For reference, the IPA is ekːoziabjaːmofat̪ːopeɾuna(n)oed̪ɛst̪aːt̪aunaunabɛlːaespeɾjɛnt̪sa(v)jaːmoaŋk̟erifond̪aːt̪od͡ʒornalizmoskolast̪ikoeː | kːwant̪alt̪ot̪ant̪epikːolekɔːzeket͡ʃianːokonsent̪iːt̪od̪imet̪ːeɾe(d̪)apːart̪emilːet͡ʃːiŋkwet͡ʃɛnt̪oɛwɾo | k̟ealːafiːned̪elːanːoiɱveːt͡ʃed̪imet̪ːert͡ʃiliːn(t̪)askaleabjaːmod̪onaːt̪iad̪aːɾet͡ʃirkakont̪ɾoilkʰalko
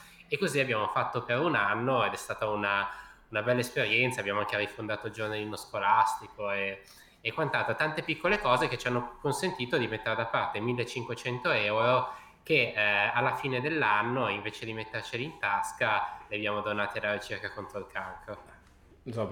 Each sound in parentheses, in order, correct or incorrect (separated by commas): incorrect, incorrect, correct, correct